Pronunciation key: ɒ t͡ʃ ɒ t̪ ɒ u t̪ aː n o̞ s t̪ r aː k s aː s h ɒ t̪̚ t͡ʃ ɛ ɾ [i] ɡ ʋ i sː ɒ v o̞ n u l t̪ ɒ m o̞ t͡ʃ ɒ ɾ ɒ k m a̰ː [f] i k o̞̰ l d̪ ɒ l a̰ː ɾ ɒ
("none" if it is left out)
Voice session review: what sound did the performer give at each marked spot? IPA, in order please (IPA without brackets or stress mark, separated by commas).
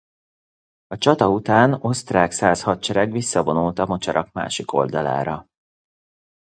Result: ɛ, ʃ